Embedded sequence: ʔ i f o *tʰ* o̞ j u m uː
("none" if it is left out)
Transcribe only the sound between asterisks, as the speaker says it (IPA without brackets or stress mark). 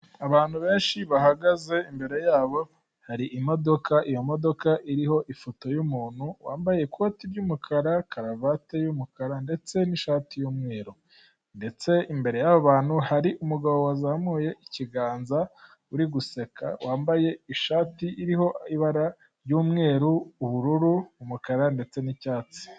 t